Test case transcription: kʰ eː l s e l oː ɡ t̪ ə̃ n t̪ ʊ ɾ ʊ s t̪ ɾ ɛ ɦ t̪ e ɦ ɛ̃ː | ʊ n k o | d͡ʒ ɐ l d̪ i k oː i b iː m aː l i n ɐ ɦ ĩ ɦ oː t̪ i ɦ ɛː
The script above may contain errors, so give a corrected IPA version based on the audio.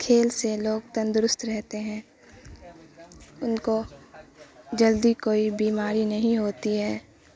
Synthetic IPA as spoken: kʰ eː l s e l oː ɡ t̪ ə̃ n d̪ ʊ ɾ ʊ s t̪ ɾ ɛ ɦ t̪ e ɦ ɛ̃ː | ʊ n k o | d͡ʒ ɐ l d̪ i k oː i b iː m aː ɾ i n ɐ ɦ ĩ ɦ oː t̪ i ɦ ɛː

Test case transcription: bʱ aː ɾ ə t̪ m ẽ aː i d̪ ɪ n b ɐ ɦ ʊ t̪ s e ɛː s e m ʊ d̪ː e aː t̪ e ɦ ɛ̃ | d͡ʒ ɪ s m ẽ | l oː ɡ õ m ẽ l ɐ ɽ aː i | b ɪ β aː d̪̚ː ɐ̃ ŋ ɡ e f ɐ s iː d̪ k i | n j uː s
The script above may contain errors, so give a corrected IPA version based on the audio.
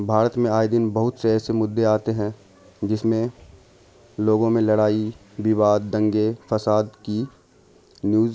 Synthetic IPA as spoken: bʱ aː ɾ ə t̪ m ẽ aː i d̪ ɪ n b ɐ ɦ ʊ t̪ s e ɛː s e m ʊ d̪ː e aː t̪ e ɦ ɛ̃ | d͡ʒ ɪ s m ẽ | l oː ɡ õ m ẽ l ɐ ɽ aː i | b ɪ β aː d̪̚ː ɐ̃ ŋ ɡ e f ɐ s aː d̪ k i | n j uː z

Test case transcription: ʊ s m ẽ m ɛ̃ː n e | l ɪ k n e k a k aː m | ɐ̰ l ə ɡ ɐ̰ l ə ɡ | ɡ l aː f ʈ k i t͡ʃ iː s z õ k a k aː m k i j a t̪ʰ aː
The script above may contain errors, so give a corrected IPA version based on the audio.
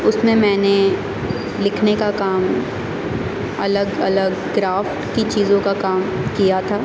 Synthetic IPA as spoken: ʊ s m ẽ m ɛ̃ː n e | l ɪ kʰ n e k a k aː m | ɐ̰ l ə ɡ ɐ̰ l ə ɡ | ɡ ɾ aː f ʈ k i t͡ʃ iː z õ k a k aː m k i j a t̪ʰ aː

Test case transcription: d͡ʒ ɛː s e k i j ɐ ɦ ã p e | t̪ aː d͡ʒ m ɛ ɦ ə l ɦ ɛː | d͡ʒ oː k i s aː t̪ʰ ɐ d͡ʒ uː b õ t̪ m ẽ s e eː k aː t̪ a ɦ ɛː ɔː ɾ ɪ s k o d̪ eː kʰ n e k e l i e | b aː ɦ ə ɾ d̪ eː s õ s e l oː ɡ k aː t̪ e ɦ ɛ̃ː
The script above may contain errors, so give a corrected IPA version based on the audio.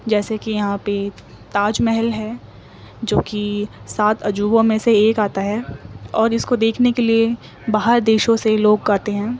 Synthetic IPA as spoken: d͡ʒ ɛː s e k i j ɐ ɦ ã p e | t̪ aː d͡ʒ m ɛ ɦ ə l ɦ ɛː | d͡ʒ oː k i s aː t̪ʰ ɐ d͡ʒ uː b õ m ẽ s e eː k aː t̪ a ɦ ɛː ɔː ɾ ɪ s k o d̪ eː kʰ n e k e l i e | b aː ɦ ə ɾ d̪ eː ʃ õ s e l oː ɡ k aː t̪ e ɦ ɛ̃ː

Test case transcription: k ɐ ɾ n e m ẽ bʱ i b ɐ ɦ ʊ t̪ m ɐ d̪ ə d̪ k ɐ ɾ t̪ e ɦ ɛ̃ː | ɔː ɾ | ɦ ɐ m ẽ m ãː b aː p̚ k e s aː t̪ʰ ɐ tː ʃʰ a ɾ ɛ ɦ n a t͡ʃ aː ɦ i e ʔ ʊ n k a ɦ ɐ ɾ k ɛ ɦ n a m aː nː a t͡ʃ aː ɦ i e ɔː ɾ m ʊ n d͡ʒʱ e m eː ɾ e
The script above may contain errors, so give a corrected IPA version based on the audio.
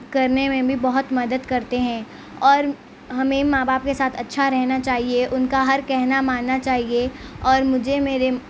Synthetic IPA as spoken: k ɐ ɾ n e m ẽ bʱ i b ɐ ɦ ʊ t̪ m ɐ d̪ ə d̪ k ɐ ɾ t̪ e ɦ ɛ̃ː | ɔː ɾ | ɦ ɐ m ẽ m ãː b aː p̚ k e s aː t̪ʰ ɐ tː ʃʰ a ɾ ɛ ɦ n a t͡ʃ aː ɦ i e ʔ ʊ n k a ɦ ɐ ɾ k ɛ ɦ n a m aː nː a t͡ʃ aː ɦ i e ɔː ɾ m ʊ d͡ʒʱ e m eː ɾ e

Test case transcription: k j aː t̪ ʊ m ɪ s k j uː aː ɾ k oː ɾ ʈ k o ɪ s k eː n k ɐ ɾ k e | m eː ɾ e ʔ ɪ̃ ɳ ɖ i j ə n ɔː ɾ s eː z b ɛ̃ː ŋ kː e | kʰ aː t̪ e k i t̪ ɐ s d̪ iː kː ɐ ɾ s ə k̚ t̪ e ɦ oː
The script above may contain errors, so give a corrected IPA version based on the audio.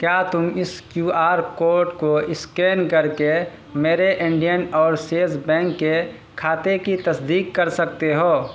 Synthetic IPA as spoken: k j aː t̪ ʊ m ɪ s k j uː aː ɾ k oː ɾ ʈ k o ɪ s k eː n k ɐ ɾ k e | m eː ɾ e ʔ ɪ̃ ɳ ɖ i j ə n ɔː ɾ s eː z b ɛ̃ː ŋ kː e | kʰ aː t̪ e k i t̪ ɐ s d̪ iː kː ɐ ɾ s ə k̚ t̪ e ɦ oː

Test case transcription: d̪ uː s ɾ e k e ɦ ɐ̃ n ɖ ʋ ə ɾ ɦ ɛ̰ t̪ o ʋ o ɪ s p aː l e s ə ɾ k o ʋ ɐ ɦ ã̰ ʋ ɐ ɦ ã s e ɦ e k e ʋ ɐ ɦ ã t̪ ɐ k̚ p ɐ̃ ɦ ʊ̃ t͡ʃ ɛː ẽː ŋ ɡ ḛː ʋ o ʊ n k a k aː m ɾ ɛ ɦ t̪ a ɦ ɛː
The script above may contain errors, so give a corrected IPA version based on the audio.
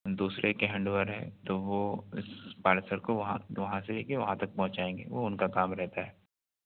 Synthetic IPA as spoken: d̪ uː s ɾ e k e ɦ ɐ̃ ɳ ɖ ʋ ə ɾ ɦ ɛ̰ t̪ o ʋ o ɪ s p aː l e s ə ɾ k o ʋ ɐ ɦ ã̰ ʋ ɐ ɦ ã s e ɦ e k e ʋ ɐ ɦ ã t̪ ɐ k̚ p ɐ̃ ɦ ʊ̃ t͡ʃ aː ẽː ŋ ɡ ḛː ʋ o ʊ n k a k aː m ɾ ɛ ɦ t̪ a ɦ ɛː

